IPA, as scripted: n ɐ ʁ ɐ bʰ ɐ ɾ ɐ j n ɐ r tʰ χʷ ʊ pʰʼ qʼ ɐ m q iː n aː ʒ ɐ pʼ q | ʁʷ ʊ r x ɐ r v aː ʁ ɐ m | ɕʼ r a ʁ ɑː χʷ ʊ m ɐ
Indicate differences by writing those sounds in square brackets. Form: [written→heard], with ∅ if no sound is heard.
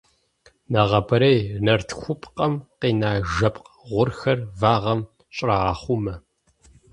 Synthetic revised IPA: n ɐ ʁ ɐ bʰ ɐ ɾ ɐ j n ɐ r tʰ [χʷ→xʷ] ʊ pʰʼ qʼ ɐ m q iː n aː ʒ ɐ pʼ q | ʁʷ ʊ r x ɐ r v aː ʁ ɐ m | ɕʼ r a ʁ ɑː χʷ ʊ m ɐ